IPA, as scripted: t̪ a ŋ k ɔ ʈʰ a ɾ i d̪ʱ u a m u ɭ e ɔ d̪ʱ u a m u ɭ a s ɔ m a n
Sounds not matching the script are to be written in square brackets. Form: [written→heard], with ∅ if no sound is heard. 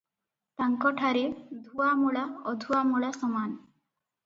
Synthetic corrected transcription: t̪ a ŋ k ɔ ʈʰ a ɾ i d̪ʱ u a m u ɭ [e→a] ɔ d̪ʱ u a m u ɭ a s ɔ m a n